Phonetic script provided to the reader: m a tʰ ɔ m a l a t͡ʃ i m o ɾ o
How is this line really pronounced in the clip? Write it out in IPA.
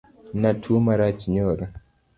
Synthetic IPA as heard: n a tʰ u m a ɾ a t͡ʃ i ɲ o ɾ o